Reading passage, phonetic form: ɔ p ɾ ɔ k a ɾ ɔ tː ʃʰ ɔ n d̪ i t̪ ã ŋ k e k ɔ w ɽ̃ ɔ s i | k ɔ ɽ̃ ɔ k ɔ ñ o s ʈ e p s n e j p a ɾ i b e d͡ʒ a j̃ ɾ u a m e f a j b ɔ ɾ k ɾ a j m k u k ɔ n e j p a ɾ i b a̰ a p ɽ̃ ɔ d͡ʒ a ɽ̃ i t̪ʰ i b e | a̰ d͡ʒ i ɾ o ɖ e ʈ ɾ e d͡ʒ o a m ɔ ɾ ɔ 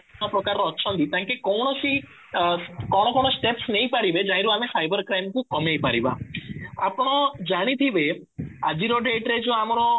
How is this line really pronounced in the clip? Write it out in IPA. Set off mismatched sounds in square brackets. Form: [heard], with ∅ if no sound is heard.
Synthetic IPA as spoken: ɔ p ɾ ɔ k a ɾ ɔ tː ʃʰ ɔ n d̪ i t̪ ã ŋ k e k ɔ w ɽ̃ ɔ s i | k ɔ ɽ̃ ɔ k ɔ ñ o s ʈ e p s n e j p a ɾ i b e d͡ʒ a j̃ ɾ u a m e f a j b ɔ ɾ k ɾ a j m k u k ɔ [m] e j p a ɾ i b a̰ a p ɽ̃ ɔ d͡ʒ a ɽ̃ i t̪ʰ i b e | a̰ d͡ʒ i ɾ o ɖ e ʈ ɾ e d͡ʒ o a m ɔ ɾ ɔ